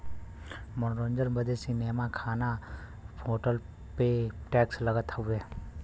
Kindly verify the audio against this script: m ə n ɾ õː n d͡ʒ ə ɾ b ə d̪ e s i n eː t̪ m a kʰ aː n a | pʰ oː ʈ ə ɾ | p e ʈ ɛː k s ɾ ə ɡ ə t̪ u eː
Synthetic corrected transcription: m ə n ɾ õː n d͡ʒ ə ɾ b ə d̪ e s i n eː m a kʰ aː n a | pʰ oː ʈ ə l | p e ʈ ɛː k s l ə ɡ ə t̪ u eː